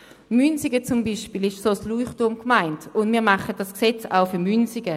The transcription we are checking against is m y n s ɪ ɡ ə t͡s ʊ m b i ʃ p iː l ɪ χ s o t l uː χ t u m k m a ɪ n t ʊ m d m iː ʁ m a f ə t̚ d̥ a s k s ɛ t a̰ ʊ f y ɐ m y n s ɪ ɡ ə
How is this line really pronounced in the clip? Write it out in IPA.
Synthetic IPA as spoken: m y n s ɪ ɡ ə t͡s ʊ m b i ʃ p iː l ɪ ʃ s o s l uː χ t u m k m a ɪ n t ʊ n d m iː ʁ m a χ ə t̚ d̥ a s k s ɛ t͡s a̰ ʊ f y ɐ m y n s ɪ ɡ ə